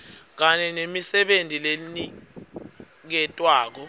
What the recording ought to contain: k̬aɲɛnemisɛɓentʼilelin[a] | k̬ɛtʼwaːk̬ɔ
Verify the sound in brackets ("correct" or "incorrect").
incorrect